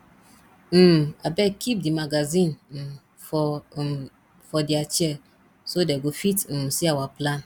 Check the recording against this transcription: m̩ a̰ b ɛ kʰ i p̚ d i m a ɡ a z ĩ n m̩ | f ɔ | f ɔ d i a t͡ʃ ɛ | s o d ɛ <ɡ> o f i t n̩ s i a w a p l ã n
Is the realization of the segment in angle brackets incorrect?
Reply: no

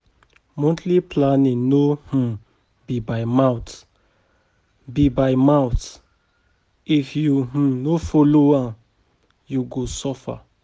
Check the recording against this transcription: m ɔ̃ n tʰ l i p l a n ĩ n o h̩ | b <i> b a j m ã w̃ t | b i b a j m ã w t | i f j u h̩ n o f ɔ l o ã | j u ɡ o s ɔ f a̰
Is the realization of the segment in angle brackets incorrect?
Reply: no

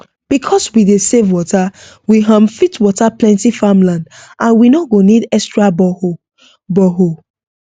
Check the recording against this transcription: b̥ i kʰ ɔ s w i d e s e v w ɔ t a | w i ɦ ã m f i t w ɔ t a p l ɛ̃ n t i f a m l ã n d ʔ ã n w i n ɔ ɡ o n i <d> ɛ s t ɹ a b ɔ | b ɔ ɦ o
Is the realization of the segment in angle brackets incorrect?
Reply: no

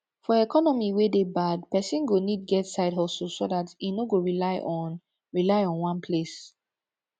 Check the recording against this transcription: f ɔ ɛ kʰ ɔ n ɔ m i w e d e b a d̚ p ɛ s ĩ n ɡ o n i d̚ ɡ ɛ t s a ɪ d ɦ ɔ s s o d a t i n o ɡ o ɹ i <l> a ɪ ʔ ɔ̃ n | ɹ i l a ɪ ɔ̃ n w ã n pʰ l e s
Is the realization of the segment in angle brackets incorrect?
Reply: no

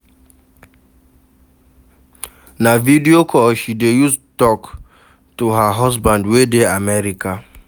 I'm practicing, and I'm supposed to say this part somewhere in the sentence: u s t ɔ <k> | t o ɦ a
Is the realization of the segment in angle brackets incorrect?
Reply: no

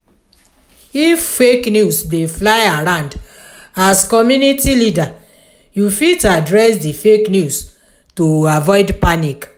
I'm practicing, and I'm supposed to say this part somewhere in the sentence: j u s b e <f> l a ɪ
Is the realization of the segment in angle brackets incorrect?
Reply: no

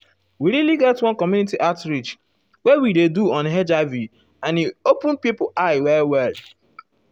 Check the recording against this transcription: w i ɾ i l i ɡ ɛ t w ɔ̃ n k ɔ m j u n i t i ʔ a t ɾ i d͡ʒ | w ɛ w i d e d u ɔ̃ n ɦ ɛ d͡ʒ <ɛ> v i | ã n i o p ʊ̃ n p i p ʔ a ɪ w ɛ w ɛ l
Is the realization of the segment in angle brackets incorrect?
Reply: yes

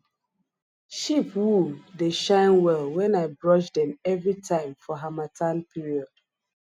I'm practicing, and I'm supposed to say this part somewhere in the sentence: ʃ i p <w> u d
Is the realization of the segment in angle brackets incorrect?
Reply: no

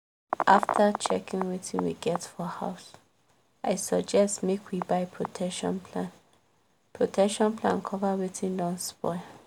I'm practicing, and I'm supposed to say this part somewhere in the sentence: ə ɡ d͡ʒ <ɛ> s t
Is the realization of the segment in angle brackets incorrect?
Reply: no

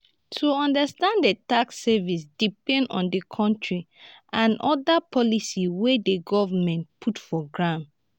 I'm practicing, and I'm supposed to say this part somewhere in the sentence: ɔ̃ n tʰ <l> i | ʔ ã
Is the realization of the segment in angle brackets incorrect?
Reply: yes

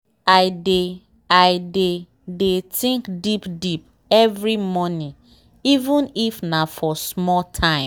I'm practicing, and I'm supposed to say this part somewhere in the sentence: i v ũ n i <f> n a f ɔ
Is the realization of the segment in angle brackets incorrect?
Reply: no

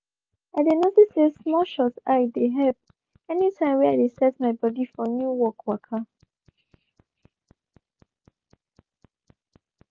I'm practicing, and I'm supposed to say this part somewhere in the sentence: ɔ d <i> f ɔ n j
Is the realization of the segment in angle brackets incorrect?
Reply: no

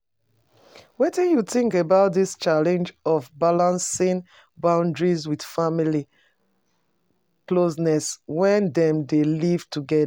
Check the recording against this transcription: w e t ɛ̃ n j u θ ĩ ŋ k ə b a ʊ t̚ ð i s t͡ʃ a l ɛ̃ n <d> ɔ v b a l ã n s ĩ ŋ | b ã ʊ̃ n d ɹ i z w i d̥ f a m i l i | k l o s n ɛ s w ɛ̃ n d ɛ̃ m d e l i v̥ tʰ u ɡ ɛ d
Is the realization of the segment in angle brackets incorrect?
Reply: yes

